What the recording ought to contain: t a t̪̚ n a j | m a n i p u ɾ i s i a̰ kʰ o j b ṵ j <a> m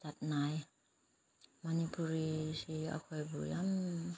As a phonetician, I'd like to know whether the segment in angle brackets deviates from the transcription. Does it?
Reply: no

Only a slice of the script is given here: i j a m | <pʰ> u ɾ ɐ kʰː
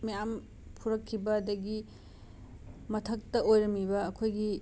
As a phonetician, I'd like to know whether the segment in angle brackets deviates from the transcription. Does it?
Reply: no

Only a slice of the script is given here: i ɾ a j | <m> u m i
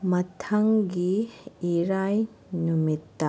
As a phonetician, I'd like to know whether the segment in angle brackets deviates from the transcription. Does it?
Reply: yes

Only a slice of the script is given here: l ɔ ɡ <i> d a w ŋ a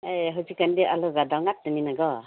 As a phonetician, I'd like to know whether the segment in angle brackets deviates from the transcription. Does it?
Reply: yes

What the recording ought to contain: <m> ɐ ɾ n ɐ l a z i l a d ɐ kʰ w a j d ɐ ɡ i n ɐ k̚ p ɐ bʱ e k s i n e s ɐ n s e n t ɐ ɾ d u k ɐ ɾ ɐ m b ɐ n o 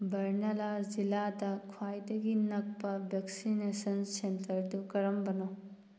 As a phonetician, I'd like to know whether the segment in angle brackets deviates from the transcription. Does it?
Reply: yes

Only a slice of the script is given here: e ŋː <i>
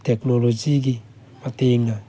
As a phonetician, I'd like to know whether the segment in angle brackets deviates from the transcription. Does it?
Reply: yes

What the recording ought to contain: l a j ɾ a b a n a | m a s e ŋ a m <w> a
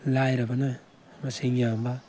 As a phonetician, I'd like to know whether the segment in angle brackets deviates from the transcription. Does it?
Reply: yes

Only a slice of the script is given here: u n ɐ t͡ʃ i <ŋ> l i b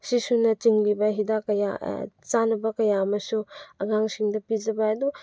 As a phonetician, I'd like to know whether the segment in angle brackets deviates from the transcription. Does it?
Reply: no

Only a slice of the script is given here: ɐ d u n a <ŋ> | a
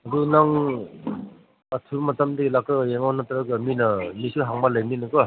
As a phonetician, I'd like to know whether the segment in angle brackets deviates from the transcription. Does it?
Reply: no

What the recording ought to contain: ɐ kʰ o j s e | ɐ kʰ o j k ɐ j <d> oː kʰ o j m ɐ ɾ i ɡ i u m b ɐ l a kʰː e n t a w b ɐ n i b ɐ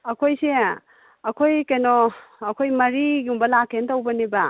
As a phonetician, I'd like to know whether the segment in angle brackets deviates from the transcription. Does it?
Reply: yes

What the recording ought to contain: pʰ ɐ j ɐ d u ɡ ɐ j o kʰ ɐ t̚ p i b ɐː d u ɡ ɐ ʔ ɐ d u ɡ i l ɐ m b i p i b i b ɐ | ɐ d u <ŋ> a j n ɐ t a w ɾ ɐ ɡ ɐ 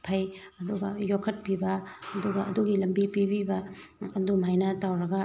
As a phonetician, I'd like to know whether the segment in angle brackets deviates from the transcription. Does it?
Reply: yes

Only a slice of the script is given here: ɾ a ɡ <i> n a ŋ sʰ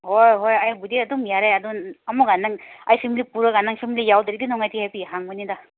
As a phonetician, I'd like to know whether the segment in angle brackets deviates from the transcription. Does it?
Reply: yes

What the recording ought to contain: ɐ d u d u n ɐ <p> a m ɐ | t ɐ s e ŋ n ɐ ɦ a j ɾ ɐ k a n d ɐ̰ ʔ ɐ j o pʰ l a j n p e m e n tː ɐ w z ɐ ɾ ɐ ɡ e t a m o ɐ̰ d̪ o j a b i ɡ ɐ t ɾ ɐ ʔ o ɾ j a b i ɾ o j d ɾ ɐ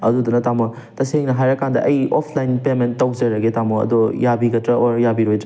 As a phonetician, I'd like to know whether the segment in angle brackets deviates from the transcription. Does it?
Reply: yes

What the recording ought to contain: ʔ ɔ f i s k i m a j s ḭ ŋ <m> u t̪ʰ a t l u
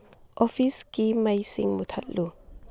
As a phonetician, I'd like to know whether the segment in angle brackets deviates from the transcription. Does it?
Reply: no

